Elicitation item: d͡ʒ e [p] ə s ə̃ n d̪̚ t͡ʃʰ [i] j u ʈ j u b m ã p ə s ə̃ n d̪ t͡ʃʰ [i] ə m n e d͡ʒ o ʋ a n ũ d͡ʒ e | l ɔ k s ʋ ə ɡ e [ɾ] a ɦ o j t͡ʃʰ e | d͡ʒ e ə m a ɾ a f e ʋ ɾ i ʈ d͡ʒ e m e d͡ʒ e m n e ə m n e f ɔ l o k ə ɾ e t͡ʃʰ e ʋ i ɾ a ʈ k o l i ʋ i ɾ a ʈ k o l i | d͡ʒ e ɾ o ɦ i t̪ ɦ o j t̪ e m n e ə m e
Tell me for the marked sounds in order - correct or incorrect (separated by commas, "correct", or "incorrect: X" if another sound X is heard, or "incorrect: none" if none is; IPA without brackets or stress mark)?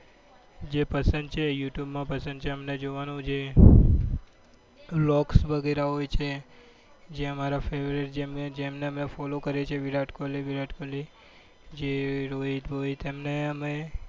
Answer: correct, incorrect: e, incorrect: e, correct